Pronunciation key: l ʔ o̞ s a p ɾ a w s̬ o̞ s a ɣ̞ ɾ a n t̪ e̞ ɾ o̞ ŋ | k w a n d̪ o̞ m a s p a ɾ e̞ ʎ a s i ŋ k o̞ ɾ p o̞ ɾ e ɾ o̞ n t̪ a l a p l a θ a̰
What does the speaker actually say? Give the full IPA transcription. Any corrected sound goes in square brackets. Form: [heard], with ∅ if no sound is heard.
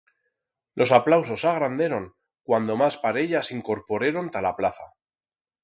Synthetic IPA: l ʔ o̞ s a p [l] a w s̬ o̞ s a ɣ̞ ɾ a n [d̪] e̞ ɾ o̞ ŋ | k w a n d̪ o̞ m a s p a ɾ e̞ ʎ a s i ŋ k o̞ ɾ p o̞ ɾ e ɾ o̞ n t̪ a l a p l a θ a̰

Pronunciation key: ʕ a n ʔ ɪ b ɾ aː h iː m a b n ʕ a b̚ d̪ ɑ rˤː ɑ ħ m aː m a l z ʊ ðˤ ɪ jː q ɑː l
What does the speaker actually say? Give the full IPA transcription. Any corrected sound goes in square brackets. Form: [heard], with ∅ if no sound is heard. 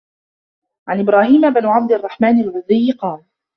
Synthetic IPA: ʕ a n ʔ ɪ b ɾ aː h iː m a b n ʕ a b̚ d̪ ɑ rˤː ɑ ħ m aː [n] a l [ʕ] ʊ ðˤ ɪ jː q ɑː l

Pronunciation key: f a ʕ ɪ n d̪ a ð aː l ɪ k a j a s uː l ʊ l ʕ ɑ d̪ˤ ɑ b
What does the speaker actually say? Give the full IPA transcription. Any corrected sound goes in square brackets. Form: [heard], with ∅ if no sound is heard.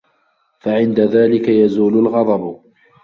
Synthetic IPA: f a ʕ ɪ n d̪ a ð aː l ɪ k a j a [z] uː l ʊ l [ɣ] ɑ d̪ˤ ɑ b

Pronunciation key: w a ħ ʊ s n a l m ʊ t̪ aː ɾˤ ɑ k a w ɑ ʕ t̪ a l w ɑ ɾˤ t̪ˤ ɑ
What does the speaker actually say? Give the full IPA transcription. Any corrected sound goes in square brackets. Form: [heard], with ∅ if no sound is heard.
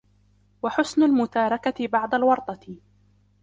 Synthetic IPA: w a ħ ʊ s n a l m ʊ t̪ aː ɾˤ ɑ k a [b] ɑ ʕ [d̪] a l w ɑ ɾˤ t̪ˤ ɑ

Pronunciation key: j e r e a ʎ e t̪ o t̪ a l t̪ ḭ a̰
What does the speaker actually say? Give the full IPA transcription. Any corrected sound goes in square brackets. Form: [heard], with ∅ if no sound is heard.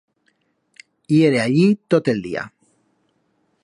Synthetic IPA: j e [ɾ] e a ʎ [i] t̪ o t̪ [e] l [d̪] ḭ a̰

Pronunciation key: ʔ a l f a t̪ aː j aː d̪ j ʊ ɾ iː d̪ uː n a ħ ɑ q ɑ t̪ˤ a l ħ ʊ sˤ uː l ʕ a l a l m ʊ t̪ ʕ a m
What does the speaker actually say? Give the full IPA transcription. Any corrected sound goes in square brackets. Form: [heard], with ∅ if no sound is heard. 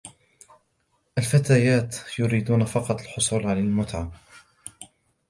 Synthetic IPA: ʔ a l f a t̪ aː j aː [t̪] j ʊ ɾ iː d̪ uː n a [f] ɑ q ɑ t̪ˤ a l ħ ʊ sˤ uː l ʕ a l a l m ʊ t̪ ʕ a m

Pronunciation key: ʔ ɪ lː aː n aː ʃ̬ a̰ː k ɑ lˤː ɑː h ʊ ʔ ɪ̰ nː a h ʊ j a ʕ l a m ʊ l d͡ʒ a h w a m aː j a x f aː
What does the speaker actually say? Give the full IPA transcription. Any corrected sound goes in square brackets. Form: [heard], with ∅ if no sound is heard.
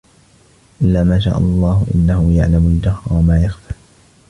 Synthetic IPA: ʔ ɪ lː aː [m] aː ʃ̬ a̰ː [ʔ] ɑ lˤː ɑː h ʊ ʔ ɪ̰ nː a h ʊ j a ʕ l a m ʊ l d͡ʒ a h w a m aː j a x f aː

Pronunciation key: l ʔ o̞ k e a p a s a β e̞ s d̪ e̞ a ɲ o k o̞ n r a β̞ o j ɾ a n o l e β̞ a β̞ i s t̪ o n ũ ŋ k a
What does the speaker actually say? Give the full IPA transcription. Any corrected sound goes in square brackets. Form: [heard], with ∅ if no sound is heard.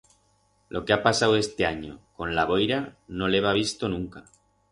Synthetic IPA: l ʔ o̞ k e a p a s a [w] e̞ s [t̪] e̞ a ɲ o k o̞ n [l] a β̞ o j ɾ a n o l e β̞ a β̞ i s t̪ o n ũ ŋ k a

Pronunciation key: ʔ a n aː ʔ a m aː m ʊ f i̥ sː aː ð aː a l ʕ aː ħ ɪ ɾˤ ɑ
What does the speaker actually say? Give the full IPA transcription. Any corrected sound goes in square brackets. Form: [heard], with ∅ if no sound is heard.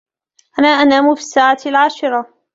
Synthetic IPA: ʔ a n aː ʔ a [n] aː m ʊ f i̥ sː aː [ʕ] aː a l ʕ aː [ʃ] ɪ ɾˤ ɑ

